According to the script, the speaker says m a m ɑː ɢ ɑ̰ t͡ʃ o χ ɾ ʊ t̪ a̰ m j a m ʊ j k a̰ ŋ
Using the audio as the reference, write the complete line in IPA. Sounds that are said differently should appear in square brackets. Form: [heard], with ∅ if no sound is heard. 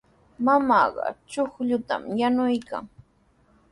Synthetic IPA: m a m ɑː ɢ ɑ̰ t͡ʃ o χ [ʎ] ʊ t̪ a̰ m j a [n] ʊ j k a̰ ŋ